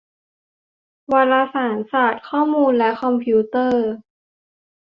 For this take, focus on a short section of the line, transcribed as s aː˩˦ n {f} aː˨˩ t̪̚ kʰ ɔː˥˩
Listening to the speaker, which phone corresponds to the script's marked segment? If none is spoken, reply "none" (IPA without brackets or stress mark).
s